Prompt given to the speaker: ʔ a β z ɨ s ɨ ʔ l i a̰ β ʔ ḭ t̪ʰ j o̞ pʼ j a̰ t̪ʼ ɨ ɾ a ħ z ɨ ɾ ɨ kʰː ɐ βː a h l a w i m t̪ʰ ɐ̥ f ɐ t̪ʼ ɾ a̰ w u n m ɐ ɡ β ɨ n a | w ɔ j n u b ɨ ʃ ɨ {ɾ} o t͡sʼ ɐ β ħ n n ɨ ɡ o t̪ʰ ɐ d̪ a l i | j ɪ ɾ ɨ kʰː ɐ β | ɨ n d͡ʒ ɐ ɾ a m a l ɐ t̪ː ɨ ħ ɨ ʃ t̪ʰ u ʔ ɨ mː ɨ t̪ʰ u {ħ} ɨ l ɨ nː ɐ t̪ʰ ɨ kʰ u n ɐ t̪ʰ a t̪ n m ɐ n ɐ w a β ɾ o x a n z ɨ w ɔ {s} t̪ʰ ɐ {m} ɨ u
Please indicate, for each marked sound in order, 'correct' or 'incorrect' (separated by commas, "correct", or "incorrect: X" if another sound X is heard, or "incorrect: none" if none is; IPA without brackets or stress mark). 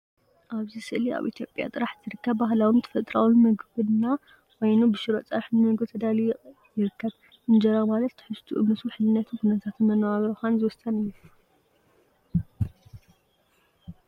correct, correct, correct, incorrect: n